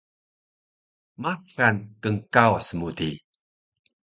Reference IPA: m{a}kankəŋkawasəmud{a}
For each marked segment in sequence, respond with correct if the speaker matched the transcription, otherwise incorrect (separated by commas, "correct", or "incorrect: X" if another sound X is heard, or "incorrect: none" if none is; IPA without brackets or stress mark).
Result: correct, incorrect: i